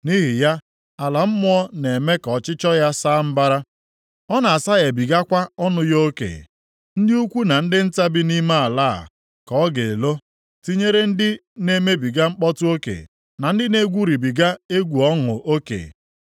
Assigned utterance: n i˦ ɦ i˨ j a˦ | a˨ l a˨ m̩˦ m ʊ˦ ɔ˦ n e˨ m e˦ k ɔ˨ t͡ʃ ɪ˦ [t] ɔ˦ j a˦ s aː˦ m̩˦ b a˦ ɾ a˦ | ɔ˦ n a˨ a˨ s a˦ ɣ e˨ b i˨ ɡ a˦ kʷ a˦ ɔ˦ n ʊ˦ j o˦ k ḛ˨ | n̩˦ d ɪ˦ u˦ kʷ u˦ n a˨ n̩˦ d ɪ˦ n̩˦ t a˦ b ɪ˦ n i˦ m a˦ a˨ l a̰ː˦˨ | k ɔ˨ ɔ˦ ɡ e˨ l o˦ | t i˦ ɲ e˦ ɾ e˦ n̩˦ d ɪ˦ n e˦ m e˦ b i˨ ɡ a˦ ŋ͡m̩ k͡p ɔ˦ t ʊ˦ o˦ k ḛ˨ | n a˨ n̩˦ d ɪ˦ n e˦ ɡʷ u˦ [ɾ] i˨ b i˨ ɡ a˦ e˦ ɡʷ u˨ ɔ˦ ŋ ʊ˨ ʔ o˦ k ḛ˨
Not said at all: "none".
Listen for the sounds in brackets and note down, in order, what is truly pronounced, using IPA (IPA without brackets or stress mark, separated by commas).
t͡ʃ, ɾ